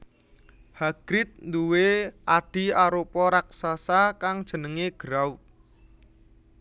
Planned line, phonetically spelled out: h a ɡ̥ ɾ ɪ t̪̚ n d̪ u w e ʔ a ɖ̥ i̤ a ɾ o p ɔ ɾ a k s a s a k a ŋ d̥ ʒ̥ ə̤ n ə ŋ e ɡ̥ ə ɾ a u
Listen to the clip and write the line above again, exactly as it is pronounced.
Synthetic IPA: h a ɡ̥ ɾ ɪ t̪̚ n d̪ u w e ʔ a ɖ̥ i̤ a ɾ o p ɔ ɾ a k s a s a k a ŋ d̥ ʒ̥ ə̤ n ə ŋ e ɡ̥ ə ɾ a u